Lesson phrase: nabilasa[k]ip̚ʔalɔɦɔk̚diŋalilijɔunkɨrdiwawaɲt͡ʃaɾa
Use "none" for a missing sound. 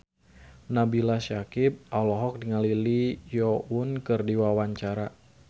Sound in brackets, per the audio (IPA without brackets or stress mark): k